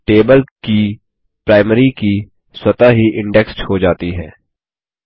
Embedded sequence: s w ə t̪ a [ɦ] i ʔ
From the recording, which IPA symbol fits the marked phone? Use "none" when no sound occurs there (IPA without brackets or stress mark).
ɦ